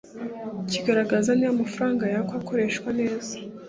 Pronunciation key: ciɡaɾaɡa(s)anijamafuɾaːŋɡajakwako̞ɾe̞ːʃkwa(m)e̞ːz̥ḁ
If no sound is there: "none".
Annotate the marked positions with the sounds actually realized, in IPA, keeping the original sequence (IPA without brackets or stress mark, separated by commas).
z, n